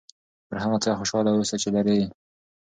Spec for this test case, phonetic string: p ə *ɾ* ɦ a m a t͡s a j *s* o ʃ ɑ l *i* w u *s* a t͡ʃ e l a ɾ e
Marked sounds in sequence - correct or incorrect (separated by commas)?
correct, incorrect, incorrect, correct